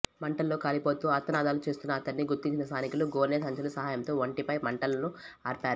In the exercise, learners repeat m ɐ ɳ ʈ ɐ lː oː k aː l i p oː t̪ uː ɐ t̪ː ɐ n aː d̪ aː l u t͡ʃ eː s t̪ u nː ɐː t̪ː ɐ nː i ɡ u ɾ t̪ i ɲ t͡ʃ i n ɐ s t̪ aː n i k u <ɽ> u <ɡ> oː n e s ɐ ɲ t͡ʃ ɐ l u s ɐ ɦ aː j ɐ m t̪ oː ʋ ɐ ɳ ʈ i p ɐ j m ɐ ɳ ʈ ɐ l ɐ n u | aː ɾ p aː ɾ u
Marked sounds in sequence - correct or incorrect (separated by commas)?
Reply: incorrect, correct